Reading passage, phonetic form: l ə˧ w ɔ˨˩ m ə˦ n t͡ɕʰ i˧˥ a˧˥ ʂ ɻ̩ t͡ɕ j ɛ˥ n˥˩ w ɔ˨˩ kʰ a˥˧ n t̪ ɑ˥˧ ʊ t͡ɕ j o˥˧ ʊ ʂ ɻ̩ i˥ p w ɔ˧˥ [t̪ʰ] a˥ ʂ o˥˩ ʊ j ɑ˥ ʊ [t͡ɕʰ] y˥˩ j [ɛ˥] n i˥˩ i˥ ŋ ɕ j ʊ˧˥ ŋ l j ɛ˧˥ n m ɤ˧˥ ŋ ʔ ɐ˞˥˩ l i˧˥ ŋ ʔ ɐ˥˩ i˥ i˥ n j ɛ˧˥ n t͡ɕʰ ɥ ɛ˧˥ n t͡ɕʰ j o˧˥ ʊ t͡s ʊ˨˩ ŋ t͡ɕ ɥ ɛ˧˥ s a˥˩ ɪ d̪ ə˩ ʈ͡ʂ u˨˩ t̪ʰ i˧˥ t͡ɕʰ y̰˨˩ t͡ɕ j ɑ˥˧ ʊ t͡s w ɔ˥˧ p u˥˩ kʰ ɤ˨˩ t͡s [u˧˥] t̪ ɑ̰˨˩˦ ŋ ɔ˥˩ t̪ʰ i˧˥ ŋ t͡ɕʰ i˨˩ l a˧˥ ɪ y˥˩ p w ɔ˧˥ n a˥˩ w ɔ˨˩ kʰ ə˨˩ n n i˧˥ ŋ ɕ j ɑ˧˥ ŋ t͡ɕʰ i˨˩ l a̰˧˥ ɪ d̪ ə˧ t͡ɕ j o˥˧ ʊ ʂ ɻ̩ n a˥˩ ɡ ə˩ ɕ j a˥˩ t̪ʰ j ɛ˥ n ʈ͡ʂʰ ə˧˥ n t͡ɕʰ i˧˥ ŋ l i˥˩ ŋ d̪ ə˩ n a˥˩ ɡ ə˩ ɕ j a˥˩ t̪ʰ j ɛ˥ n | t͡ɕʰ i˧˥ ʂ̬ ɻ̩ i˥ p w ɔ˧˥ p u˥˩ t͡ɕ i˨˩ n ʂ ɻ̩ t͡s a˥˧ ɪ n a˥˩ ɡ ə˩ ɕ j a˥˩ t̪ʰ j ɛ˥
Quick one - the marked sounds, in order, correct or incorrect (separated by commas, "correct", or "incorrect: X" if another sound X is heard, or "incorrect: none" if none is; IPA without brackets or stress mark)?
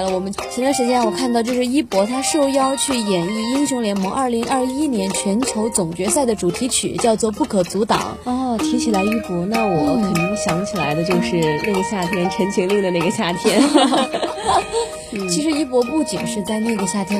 correct, correct, incorrect: ɛ˨˩, correct